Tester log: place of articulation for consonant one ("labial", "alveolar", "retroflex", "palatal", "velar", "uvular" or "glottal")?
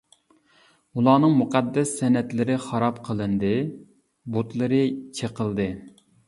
alveolar